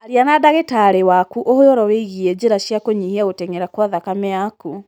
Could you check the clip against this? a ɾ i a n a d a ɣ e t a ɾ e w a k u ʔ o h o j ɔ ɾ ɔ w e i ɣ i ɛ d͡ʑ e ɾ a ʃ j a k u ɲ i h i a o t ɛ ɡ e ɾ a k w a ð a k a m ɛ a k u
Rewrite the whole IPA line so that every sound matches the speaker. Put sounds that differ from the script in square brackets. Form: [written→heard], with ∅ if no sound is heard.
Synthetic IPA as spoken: a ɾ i a n a d a ɣ e t a ɾ e w a k u ʔ o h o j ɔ ɾ ɔ w e i ɣ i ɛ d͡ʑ e ɾ a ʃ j a k [u→o] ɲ i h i a o t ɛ [ɡ→ŋ] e ɾ a k w a ð a k a m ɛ a k u